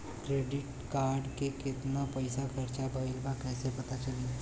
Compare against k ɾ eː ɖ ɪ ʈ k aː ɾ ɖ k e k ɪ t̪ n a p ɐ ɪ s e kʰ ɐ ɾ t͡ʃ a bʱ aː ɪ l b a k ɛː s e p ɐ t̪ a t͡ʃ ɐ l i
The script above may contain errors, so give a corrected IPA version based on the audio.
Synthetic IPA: k ɾ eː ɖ ɪ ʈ k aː ɾ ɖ k e k ɪ t̪ n a p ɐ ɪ s a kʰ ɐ ɾ t͡ʃ a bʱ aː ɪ l b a k ɛː s e p ɐ t̪ a t͡ʃ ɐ l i